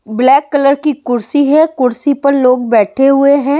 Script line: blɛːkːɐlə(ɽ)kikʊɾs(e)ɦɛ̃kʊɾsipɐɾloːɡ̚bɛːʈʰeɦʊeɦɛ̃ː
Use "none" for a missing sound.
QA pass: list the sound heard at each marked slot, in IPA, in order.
ɾ, i

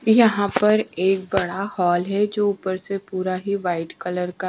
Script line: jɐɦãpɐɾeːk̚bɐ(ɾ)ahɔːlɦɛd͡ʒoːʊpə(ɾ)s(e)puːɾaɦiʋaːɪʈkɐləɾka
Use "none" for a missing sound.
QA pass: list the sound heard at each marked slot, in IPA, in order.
ɽ, ɾ, e

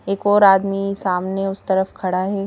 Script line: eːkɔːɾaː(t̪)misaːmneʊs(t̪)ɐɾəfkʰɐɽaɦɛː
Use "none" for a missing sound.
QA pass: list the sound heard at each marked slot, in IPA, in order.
d̪, t̪

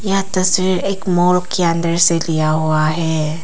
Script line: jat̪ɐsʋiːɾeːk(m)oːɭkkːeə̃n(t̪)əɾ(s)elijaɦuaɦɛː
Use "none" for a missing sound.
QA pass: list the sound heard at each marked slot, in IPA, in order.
m, d̪, s

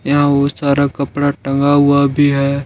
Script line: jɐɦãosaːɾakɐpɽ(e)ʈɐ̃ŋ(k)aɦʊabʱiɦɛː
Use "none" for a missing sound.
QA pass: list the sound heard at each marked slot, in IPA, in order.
a, ɡ

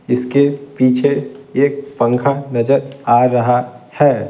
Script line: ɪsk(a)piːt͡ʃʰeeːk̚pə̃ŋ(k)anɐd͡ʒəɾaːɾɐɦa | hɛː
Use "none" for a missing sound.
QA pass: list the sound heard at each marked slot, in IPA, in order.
e, kʰ

